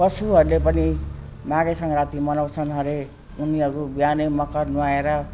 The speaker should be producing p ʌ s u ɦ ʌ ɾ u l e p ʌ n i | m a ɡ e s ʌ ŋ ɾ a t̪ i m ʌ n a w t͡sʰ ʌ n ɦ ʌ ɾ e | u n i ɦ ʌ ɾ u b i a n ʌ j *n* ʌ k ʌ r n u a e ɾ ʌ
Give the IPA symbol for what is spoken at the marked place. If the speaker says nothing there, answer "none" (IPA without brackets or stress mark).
m